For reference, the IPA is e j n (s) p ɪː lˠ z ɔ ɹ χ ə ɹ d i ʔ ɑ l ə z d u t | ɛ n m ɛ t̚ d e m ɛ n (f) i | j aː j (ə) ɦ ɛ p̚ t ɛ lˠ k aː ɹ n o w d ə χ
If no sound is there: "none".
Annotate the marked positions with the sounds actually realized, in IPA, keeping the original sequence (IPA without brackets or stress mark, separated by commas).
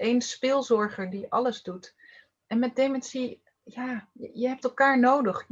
s, s, ə